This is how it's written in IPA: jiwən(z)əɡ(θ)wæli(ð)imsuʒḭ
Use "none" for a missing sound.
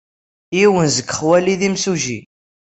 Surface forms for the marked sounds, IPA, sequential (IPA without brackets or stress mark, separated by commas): z, χ, ð